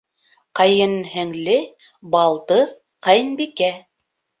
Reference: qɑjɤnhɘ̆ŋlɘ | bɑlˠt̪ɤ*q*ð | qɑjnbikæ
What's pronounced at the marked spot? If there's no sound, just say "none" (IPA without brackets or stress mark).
none